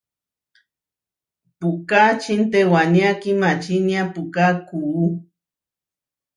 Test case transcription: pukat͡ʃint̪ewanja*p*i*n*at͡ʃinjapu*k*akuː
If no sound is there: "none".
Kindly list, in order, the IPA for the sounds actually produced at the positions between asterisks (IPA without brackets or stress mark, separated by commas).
k, m, k